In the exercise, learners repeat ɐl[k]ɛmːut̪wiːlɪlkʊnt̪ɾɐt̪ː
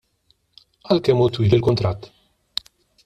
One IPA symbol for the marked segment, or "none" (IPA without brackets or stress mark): k